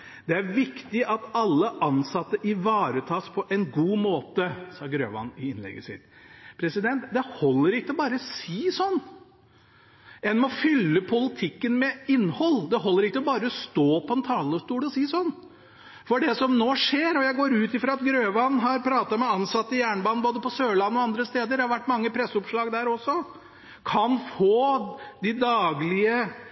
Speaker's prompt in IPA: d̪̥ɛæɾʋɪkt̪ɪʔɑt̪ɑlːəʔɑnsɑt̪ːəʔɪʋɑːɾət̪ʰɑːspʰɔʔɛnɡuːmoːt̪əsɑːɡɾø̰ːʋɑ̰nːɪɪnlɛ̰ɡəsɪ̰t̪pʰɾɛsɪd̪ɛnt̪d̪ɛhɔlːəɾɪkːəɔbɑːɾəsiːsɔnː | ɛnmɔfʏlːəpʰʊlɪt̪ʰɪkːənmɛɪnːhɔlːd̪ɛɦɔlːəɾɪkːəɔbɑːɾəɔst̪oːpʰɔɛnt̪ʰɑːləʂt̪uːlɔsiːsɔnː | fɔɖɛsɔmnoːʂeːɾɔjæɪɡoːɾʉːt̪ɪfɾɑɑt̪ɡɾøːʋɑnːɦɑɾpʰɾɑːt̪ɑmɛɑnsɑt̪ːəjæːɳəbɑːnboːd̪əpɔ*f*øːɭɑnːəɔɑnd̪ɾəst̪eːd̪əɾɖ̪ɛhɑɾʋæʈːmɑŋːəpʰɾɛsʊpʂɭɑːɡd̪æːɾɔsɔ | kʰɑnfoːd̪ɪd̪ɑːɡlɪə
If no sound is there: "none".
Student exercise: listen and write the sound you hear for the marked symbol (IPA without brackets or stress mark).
s